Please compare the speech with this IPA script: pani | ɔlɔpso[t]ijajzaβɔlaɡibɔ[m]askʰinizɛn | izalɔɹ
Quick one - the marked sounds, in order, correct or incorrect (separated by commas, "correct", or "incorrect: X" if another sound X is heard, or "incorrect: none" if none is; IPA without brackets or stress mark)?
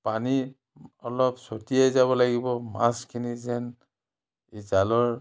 correct, correct